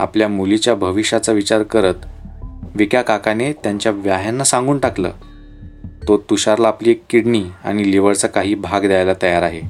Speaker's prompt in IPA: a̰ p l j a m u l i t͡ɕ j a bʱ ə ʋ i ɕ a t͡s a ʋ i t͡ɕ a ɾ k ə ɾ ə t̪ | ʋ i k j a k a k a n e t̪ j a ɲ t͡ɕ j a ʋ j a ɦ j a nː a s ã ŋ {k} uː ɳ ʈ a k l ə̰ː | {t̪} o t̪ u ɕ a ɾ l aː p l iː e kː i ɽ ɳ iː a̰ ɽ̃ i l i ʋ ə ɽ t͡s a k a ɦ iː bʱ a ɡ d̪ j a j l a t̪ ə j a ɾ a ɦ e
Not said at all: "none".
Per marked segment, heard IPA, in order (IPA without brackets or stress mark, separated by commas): ɡ, t̪